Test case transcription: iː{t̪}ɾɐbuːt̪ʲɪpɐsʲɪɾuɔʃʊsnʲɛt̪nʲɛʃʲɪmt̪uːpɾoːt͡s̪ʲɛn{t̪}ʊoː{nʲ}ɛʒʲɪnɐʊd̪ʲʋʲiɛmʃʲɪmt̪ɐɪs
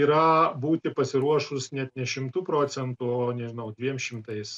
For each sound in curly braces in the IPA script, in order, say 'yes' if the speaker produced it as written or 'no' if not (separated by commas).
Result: no, yes, yes